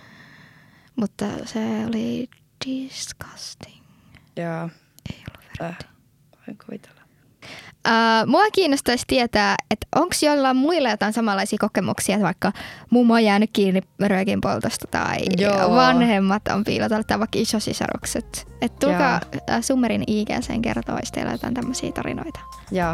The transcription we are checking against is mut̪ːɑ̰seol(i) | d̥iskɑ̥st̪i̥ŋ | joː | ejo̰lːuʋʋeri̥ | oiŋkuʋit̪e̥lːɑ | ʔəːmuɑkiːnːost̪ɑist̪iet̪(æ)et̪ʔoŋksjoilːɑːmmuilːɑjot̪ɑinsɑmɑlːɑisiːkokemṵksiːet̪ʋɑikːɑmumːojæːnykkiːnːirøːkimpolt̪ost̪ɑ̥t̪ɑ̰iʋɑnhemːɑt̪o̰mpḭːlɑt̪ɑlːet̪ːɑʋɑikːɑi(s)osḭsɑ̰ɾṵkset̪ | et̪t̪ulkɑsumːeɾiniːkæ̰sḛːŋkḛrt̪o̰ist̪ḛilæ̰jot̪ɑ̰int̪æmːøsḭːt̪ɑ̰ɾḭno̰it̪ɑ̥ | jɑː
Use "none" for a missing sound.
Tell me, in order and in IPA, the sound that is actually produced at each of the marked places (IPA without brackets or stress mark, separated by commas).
i, æː, s